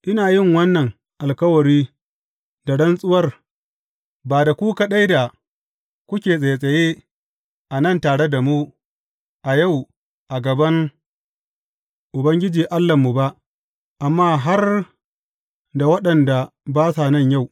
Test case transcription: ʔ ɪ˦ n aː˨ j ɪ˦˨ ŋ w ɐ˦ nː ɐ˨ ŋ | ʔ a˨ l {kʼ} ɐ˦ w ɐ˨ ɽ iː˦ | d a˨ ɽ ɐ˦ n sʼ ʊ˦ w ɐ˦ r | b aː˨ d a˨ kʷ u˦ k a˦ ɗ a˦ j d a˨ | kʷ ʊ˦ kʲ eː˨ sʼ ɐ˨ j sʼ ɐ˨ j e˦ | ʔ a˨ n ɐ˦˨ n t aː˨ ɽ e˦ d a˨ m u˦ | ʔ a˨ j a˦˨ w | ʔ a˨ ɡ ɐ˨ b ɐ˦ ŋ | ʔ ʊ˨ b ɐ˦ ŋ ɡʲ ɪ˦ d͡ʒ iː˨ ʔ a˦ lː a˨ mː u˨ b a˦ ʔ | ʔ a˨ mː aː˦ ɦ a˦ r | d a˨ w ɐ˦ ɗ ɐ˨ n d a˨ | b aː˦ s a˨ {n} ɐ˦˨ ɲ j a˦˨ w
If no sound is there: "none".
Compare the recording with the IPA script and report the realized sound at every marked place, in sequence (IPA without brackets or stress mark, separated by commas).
k, n